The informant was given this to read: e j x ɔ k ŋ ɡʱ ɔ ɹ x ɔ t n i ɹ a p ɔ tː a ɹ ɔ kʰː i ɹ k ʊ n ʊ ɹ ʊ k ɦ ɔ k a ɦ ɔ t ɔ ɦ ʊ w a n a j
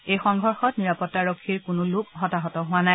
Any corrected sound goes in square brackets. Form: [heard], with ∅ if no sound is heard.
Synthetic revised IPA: e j x ɔ [∅] ŋ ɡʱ ɔ ɹ x ɔ t n i ɹ a p ɔ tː a ɹ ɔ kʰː i ɹ k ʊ n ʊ [l] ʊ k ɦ ɔ [t] a ɦ ɔ t ɔ ɦ ʊ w a n a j